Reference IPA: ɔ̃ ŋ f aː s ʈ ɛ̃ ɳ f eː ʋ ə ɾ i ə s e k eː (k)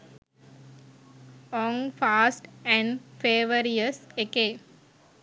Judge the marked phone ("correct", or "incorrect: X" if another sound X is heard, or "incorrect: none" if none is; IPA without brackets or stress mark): incorrect: none